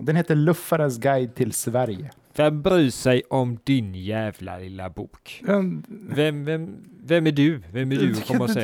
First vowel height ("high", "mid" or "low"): mid